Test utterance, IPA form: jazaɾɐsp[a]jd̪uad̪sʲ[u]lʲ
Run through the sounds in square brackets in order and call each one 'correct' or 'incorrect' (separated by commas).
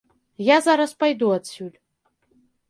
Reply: correct, correct